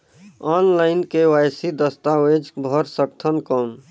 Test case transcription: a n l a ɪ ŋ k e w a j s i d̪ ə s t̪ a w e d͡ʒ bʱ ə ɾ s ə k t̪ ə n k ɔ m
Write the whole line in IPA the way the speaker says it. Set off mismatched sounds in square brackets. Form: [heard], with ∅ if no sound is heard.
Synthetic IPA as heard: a n l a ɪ [n] k e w a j s i d̪ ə s t̪ a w e d͡ʒ bʱ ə ɾ s ə k [t̪ʰ] ə n k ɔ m